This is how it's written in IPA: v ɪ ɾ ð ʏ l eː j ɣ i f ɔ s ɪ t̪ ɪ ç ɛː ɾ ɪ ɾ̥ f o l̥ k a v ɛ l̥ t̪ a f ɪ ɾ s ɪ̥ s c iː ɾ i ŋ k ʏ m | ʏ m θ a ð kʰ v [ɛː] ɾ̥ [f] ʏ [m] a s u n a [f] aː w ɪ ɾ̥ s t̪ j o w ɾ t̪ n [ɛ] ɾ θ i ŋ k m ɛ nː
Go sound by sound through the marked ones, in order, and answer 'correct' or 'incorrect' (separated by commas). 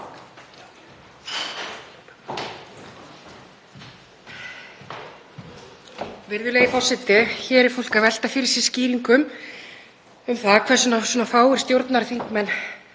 incorrect, incorrect, incorrect, correct, incorrect